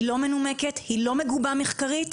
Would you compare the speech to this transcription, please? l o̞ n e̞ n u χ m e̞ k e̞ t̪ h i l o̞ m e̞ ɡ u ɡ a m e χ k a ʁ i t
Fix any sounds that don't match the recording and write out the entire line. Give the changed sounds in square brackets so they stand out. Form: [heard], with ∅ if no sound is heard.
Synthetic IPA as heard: l o̞ [m] e̞ n u [∅] m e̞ k e̞ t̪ h i l o̞ m e̞ ɡ u [b] a m e χ k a ʁ i t